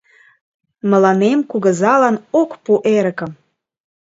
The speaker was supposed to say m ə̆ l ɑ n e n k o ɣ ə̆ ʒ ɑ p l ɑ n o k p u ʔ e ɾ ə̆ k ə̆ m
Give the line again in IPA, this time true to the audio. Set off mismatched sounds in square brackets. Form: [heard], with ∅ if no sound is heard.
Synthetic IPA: m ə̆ l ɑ n e [m] k [u] ɣ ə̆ [z] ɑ [∅] l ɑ n o k p u ʔ e ɾ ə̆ k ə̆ m